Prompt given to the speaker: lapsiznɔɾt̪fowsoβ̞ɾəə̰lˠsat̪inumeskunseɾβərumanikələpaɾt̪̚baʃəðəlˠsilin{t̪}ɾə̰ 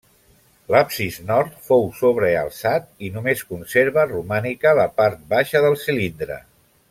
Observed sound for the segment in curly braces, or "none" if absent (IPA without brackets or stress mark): d̪